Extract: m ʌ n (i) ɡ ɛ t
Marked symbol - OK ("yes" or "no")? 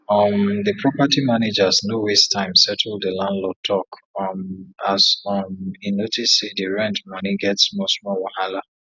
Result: yes